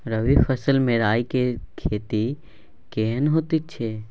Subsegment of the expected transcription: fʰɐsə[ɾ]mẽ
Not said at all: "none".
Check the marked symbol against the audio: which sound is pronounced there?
l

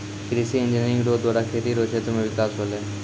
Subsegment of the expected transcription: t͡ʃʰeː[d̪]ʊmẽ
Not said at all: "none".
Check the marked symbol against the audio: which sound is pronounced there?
t̪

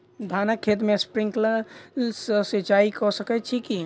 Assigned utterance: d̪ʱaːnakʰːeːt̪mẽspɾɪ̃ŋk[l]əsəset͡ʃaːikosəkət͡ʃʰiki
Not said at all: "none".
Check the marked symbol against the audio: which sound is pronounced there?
l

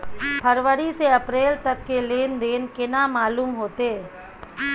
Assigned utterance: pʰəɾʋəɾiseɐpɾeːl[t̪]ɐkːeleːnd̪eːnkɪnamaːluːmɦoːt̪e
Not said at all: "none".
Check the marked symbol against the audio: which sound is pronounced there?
t̪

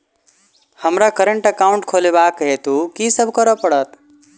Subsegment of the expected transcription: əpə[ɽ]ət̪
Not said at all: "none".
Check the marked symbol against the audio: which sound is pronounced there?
ɽ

